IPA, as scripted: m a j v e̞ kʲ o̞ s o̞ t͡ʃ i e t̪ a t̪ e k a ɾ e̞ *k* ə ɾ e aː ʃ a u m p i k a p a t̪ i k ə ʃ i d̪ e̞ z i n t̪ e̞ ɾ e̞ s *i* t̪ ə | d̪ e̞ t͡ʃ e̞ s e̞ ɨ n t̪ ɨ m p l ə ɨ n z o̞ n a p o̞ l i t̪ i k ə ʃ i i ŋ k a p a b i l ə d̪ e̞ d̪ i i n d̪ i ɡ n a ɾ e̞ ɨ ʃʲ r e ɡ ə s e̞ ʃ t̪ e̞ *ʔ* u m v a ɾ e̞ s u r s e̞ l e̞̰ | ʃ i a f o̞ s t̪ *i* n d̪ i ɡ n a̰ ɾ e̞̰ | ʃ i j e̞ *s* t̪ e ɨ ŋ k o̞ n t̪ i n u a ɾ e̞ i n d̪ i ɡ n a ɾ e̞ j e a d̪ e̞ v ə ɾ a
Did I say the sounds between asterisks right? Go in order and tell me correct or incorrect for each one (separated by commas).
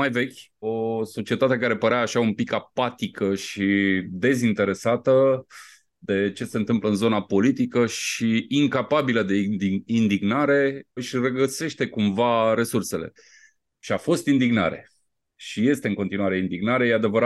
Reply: incorrect, incorrect, incorrect, correct, correct